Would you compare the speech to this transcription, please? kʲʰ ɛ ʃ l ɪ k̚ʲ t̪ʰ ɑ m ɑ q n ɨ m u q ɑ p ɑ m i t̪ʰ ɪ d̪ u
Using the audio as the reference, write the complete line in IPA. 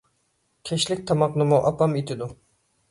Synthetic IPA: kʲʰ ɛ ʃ l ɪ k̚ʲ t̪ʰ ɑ m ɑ q n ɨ m u ʔ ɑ p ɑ m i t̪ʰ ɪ d̪ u

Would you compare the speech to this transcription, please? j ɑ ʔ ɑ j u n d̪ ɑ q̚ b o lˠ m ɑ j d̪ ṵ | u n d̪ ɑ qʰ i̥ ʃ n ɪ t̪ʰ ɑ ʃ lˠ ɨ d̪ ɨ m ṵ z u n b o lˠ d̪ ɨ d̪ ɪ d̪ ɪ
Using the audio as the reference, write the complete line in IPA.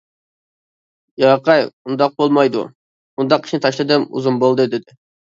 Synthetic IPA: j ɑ q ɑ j u n d̪ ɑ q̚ b o lˠ m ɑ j d̪ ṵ | u n d̪ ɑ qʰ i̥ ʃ n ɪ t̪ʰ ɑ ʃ lˠ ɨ d̪ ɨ m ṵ z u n b o lˠ d̪ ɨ d̪ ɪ d̪ ɪ

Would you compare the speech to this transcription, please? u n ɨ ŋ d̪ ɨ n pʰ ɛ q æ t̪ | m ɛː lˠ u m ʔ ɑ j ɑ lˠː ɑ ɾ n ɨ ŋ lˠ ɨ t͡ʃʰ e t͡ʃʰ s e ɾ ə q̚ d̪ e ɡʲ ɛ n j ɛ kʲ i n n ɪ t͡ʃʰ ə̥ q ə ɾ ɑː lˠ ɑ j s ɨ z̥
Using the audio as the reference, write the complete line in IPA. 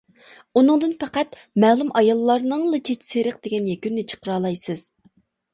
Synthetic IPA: u n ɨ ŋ d̪ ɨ n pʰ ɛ q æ t̪ | m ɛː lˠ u m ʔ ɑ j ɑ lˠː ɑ ɾ n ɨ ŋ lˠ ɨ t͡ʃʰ e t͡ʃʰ s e ɾ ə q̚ d̪ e ɡʲ ɛ n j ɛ kʲ y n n ɪ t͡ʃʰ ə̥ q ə ɾ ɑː lˠ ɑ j s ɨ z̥

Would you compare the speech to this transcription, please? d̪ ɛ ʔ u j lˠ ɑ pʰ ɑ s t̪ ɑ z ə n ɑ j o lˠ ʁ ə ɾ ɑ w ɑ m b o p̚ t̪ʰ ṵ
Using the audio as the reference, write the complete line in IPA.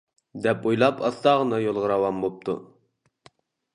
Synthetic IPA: d̪ ɛ p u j lˠ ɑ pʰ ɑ s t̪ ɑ ʁ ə n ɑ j o lˠ ʁ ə ɾ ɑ w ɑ m b o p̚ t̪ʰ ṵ

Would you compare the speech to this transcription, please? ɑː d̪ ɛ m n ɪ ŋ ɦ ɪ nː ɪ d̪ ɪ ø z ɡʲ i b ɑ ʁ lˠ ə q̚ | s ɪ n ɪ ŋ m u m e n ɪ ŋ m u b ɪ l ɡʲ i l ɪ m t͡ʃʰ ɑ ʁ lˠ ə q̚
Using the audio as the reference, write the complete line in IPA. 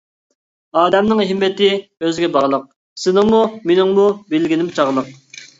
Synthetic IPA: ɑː d̪ ɛ m n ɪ ŋ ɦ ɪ mː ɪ t̪ ɪ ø z ɡʲ ɛ b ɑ ʁ lˠ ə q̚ | s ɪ n ɪ ŋ m u m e n ɪ ŋ m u b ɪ l ɡʲ i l ɪ m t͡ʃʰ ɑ ʁ lˠ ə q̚

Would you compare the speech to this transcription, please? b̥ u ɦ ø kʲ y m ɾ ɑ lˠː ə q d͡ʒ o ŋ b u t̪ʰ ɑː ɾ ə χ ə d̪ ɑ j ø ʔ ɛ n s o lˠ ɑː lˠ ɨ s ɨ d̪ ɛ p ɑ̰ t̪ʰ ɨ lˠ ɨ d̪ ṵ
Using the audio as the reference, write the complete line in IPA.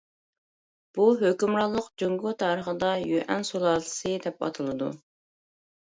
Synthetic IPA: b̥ u ɦ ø kʲ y m ɾ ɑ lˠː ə q d͡ʒ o ŋ ɡ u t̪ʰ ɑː ɾ ə χ ə d̪ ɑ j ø ʔ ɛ n s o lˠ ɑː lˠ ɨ s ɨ d̪ ɛ p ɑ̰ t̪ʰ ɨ lˠ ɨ d̪ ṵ

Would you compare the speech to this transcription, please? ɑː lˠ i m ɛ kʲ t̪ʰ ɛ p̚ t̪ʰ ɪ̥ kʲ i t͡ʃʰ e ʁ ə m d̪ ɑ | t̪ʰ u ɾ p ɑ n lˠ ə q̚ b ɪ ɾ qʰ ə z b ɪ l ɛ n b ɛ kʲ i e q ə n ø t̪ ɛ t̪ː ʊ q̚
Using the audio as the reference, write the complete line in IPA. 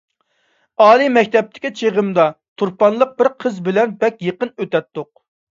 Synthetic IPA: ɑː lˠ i m ɛ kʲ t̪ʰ ɛ p̚ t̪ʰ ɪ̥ kʲ i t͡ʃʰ e ʁ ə m d̪ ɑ | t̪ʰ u ɾ p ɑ n lˠ ə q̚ b ɪ ɾ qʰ ə z b ɪ l ɛ n b ɛ kʲ j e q ə n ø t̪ ɛ t̪ː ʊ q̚

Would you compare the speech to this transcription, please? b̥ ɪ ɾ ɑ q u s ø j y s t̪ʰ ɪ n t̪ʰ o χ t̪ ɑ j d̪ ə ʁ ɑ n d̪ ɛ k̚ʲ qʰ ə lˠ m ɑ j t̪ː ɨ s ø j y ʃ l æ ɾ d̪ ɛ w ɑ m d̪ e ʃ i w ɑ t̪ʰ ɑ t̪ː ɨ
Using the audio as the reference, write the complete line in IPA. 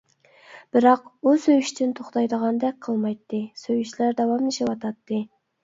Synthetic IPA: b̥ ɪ ɾ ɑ q u s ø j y ʃ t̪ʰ ɪ n t̪ʰ o χ t̪ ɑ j d̪ ə ʁ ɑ n d̪ ɛ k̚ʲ qʰ ə lˠ m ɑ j t̪ː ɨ s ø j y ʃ l æ ɾ d̪ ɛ w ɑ m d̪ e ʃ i w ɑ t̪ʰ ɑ t̪ː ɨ

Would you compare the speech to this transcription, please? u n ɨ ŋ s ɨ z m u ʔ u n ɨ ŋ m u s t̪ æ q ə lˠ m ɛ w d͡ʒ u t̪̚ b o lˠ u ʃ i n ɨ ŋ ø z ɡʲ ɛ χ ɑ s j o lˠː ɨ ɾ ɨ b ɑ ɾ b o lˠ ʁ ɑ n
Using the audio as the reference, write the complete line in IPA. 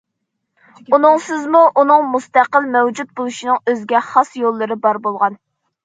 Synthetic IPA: u n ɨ ŋ s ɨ z m u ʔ u n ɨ ŋ m u s t̪ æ q ə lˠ m ɛ w d͡ʒ u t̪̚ b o lˠ u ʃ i n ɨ ŋ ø z ɡʲ ɛ χ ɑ s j o lˠː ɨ ɾ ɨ b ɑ ɾ b o lˠ ʁ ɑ n

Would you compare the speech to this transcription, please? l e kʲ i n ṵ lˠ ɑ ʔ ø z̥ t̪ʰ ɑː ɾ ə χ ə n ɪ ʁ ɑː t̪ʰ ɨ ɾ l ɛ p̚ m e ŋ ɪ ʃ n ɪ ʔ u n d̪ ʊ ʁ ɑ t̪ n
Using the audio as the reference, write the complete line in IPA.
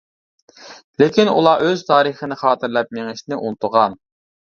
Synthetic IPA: l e kʲ i n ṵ lˠ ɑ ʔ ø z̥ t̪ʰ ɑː ɾ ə χ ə n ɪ χ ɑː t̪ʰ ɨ ɾ l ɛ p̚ m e ŋ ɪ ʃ n ɪ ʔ u n t̪ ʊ ʁ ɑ n

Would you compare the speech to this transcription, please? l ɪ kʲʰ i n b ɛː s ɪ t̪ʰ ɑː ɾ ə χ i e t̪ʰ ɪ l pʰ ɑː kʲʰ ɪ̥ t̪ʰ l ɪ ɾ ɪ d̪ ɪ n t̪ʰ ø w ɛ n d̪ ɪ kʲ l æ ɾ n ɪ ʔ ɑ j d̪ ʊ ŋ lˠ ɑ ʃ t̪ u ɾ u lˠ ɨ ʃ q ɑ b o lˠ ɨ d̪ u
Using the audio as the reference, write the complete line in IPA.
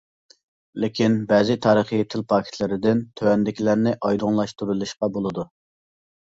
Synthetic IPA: l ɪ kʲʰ i n b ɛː z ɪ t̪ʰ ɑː ɾ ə χ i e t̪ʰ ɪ l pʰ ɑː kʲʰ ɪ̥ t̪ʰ l ɪ ɾ ɪ d̪ ɪ n t̪ʰ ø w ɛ n d̪ ɪ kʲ l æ ɾ n ɪ ʔ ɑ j d̪ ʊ ŋ lˠ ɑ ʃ t̪ u ɾ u lˠ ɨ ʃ q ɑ b o lˠ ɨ d̪ u

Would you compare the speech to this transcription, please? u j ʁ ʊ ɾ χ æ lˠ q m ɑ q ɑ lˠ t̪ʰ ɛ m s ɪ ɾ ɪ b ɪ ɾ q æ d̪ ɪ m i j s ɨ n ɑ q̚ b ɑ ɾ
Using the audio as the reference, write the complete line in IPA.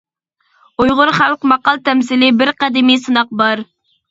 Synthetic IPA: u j ʁ ʊ ɾ χ æ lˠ q m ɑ q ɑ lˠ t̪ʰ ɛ m s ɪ l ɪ b ɪ ɾ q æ d̪ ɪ m i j s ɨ n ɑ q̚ b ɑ ɾ

